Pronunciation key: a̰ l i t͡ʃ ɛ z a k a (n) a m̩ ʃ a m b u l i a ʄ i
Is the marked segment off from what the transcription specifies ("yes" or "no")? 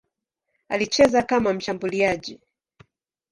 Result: yes